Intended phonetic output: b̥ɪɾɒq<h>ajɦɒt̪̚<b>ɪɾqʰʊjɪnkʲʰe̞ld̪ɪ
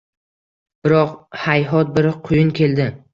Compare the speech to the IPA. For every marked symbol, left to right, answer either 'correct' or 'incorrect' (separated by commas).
correct, correct